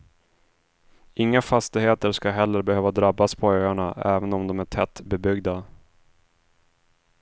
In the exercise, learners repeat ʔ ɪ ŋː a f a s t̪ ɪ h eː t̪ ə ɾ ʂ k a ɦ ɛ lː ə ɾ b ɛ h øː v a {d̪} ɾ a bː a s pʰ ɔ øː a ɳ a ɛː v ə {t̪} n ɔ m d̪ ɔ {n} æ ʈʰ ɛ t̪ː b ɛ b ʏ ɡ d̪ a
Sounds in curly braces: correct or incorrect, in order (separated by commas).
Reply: correct, incorrect, incorrect